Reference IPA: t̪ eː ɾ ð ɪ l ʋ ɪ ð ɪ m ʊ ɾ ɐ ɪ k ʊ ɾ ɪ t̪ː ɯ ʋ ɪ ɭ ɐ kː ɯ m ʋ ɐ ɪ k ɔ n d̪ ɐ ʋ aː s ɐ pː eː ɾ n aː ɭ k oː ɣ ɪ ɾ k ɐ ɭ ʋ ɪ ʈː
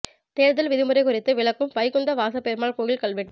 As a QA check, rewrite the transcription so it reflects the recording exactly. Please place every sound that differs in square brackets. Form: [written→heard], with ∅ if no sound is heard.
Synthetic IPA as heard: t̪ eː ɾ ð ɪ l ʋ ɪ ð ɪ m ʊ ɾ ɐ ɪ k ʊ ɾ ɪ t̪ː ɯ ʋ ɪ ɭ ɐ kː ɯ m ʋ ɐ ɪ k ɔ n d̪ ɐ ʋ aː s ɐ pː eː ɾ [n→m] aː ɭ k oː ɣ ɪ [ɾ→l] k ɐ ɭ ʋ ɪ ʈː